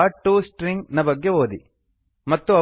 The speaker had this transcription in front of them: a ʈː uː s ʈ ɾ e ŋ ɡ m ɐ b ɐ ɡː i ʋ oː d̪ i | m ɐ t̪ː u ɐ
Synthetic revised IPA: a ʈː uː s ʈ ɾ i ŋ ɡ n ɐ b ɐ ɡː e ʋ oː d̪ i | m ɐ t̪ː u ɐ

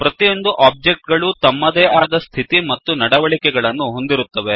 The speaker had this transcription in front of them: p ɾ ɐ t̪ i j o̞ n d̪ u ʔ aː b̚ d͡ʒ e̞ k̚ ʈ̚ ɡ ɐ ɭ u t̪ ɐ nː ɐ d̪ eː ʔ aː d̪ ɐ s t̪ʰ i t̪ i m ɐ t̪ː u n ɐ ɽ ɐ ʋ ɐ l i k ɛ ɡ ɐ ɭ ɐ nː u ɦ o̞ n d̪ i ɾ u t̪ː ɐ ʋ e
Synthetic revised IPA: p ɾ ɐ t̪ i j o̞ n d̪ u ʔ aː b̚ d͡ʒ e̞ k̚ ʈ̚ ɡ ɐ ɭ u t̪ ɐ mː ɐ d̪ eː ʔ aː d̪ ɐ s t̪ʰ i t̪ i m ɐ t̪ː u n ɐ ɽ ɐ ʋ ɐ ɭ i k ɛ ɡ ɐ ɭ ɐ nː u ɦ o̞ n d̪ i ɾ u t̪ː ɐ ʋ e

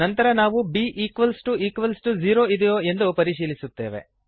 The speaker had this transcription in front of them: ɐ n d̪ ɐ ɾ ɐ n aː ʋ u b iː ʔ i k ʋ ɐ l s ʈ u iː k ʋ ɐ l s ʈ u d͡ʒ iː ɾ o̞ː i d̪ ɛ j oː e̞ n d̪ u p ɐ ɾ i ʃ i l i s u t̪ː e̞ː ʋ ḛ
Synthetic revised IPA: ɐ n t̪ ɐ ɾ ɐ n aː ʋ u b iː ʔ iː k ʋ ɐ l s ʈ u iː k ʋ ɐ l s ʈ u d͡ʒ iː ɾ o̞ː i d̪ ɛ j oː e̞ n d̪ u p ɐ ɾ i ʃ iː l i s u t̪ː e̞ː ʋ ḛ

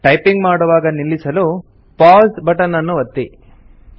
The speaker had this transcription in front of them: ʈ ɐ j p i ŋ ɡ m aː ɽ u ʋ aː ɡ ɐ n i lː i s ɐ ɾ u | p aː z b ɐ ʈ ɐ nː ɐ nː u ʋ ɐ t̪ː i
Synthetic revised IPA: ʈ ɐ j p i ŋ ɡ m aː ɽ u ʋ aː ɡ ɐ n i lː i s ɐ l u | p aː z b ɐ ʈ ɐ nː ɐ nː u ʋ ɐ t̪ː i

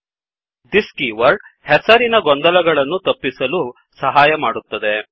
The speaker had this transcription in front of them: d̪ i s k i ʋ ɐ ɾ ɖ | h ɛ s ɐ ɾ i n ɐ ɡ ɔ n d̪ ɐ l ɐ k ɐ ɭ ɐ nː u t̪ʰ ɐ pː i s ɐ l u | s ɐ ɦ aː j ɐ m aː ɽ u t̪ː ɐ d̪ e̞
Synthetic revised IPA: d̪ i s k i ʋ ɐ ɾ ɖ | h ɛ s ɐ ɾ i n ɐ ɡ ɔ n d̪ ɐ l ɐ ɡ ɐ ɭ ɐ nː u t̪ ɐ pː i s ɐ l u | s ɐ ɦ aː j ɐ m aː ɽ u t̪ː ɐ d̪ e̞

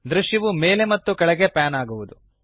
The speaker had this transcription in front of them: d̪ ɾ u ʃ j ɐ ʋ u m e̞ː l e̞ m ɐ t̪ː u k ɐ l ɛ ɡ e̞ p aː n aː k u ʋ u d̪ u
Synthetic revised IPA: d̪ ɾ u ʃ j ɐ ʋ u m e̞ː l e̞ m ɐ t̪ː u k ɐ ɭ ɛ ɡ e̞ p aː n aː ɡ u ʋ u d̪ u

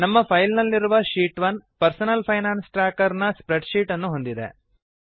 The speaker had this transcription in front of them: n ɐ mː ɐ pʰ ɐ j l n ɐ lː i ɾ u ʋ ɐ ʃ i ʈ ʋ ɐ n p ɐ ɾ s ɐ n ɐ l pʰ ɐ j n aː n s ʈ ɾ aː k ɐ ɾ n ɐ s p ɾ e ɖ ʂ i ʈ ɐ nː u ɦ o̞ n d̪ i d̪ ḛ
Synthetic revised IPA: n ɐ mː ɐ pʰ ɐ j l n ɐ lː i ɾ u ʋ ɐ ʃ iː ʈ ʋ ɐ n p ɐ ɾ s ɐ n ɐ l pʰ ɐ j n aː n s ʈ ɾ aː k ɐ ɾ n ɐ s p ɾ e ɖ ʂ iː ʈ ɐ nː u ɦ o̞ n d̪ i d̪ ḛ

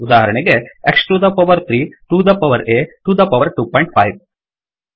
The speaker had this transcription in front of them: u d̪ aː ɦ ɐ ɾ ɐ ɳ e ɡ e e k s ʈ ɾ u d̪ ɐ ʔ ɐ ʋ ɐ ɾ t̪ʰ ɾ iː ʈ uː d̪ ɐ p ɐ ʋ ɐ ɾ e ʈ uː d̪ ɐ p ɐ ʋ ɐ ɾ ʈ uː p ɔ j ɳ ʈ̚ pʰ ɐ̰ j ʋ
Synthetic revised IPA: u d̪ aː ɦ ɐ ɾ ɐ ɳ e ɡ e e k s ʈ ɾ u d̪ ɐ p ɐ ʋ ɐ ɾ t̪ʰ ɾ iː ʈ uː d̪ ɐ p ɐ ʋ ɐ ɾ e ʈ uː d̪ ɐ p ɐ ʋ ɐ ɾ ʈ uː p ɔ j ɳ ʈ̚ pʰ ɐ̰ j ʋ

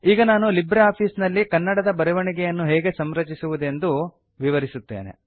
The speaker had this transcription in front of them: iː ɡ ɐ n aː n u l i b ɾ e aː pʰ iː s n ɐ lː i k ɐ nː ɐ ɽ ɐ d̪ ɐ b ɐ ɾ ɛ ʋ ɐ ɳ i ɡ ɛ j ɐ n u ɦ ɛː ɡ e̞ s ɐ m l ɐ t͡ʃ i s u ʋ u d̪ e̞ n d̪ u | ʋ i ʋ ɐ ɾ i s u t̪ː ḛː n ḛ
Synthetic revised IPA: iː ɡ ɐ n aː n u l i b ɾ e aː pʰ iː s n ɐ lː i k ɐ nː ɐ ɽ ɐ d̪ ɐ b ɐ ɾ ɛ ʋ ɐ ɳ i ɡ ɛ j ɐ nː u ɦ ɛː ɡ e̞ s ɐ m ɾ ɐ t͡ʃ i s u ʋ u d̪ e̞ n d̪ u | ʋ i ʋ ɐ ɾ i s u t̪ː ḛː n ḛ

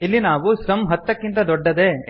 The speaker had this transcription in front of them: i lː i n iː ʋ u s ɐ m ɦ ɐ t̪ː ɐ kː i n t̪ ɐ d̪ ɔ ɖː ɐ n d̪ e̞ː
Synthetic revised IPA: i lː i n aː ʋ u s ɐ m ɦ ɐ t̪ː ɐ kː i n t̪ ɐ d̪ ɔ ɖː ɐ d̪ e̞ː

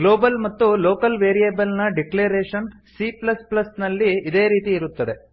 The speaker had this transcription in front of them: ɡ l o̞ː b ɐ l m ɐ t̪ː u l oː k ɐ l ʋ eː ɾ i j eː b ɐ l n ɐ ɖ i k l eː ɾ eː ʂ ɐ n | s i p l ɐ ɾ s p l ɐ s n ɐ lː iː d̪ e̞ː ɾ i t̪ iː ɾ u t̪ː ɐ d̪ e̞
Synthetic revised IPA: ɡ l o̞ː b ɐ l m ɐ t̪ː u l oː k ɐ l ʋ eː ɾ i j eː b ɐ l n ɐ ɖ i k l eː ɾ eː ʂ ɐ n | s i p l ɐ s p l ɐ s n ɐ lː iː d̪ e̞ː ɾ iː t̪ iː ɾ u t̪ː ɐ d̪ e̞

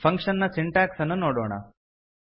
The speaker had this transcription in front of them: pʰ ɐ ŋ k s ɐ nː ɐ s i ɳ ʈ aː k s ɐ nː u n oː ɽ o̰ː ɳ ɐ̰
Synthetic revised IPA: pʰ ɐ ŋ k ʂ ɐ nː ɐ s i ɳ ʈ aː k s ɐ nː u n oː ɽ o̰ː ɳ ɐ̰

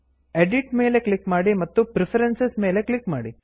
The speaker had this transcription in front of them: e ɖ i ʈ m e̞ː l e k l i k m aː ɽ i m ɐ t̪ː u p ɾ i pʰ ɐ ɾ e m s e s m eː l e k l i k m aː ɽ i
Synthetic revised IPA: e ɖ i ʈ m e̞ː l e k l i k m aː ɽ i m ɐ t̪ː u p ɾ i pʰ ɐ ɾ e n s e s m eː l e k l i k m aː ɽ i

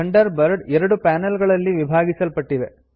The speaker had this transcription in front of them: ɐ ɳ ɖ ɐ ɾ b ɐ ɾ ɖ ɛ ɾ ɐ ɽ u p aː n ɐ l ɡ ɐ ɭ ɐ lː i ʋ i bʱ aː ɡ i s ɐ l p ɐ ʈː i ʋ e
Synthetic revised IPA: ɐ ɳ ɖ ɐ ɾ b ɐ ɾ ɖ ɛ ɾ ɐ ɽ u p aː n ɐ l ɡ ɐ ɭ ɐ lː i ʋ i bʱ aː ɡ i s ɐ l p ɐ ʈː i ʋ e

